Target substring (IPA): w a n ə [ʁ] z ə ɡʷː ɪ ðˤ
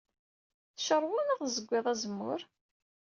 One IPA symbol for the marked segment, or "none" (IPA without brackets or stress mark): ʁ